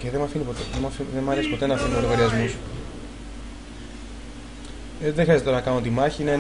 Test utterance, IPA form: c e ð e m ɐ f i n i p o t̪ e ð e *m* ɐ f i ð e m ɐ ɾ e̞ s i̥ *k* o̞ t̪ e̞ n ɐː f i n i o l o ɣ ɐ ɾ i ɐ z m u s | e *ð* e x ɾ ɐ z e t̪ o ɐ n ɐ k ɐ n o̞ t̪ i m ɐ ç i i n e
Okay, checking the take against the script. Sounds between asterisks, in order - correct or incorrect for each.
correct, incorrect, correct

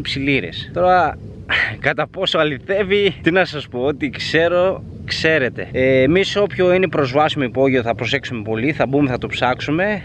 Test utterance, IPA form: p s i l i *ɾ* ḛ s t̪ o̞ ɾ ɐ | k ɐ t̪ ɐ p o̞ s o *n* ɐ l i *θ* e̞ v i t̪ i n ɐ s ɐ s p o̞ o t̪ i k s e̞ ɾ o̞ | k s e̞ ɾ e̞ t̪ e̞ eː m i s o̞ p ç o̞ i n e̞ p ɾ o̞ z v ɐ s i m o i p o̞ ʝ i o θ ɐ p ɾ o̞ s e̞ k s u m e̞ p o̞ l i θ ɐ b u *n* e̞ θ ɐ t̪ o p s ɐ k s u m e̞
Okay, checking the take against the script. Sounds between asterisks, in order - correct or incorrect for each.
correct, incorrect, correct, incorrect

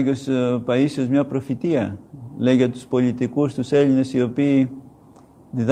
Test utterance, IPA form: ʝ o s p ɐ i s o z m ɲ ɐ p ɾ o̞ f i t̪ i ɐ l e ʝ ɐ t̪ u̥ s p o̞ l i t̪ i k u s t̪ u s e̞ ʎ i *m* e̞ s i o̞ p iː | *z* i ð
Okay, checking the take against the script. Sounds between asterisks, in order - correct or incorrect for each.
incorrect, incorrect

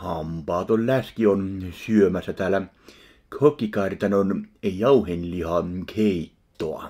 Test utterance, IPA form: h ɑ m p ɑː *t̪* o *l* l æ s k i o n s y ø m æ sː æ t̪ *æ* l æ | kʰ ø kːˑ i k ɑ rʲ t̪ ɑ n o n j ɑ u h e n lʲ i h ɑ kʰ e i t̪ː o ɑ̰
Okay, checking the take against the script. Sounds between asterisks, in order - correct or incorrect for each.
correct, correct, incorrect

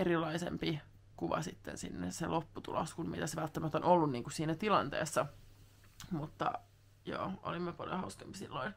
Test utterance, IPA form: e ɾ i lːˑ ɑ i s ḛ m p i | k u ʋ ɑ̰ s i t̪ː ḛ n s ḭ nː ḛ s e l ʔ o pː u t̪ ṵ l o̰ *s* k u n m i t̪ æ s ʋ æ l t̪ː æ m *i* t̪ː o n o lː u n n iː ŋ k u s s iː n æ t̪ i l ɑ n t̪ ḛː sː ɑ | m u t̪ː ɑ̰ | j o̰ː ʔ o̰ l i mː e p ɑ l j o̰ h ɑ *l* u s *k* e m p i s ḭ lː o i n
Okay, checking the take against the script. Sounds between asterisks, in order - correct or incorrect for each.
correct, incorrect, incorrect, correct

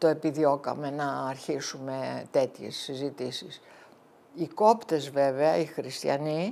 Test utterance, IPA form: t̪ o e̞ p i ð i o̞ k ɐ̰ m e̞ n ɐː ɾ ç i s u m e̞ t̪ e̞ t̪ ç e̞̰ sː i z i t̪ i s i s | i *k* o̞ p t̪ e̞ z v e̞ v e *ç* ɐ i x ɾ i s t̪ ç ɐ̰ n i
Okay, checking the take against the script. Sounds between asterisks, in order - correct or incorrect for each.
correct, incorrect

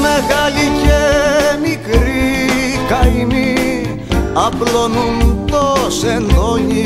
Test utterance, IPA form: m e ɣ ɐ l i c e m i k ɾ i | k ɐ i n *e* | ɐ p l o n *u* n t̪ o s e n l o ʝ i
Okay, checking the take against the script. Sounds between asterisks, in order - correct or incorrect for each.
incorrect, correct

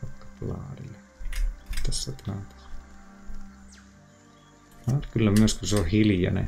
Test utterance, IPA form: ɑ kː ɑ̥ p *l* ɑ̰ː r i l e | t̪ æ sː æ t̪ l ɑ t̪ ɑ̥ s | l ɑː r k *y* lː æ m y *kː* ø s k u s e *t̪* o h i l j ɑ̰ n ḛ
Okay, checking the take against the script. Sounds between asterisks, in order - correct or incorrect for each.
correct, correct, incorrect, incorrect

